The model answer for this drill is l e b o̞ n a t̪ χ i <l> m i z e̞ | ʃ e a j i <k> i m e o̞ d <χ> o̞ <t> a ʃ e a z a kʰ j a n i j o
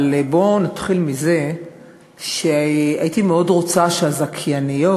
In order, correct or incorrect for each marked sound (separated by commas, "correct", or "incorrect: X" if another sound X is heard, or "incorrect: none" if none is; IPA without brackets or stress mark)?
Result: correct, incorrect: t, incorrect: ʁ, incorrect: t͡s